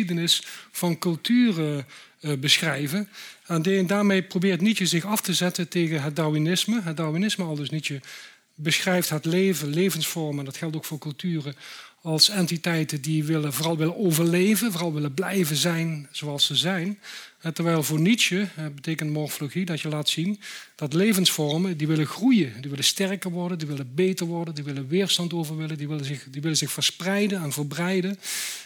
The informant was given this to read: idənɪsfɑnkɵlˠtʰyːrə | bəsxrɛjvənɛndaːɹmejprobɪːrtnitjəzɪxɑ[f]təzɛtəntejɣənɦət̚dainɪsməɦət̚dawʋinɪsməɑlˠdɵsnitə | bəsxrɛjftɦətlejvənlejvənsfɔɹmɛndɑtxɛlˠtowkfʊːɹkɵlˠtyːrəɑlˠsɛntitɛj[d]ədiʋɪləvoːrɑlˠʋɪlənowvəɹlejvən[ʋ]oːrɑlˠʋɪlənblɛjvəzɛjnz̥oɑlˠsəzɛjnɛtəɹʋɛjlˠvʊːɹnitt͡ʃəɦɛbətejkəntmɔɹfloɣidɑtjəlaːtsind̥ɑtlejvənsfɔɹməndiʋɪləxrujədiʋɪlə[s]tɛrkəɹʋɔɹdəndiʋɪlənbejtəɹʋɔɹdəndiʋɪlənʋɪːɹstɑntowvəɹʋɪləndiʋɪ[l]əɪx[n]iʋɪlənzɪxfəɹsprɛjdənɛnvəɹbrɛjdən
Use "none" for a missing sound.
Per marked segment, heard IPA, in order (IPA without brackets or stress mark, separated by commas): f, t, v, s, l, d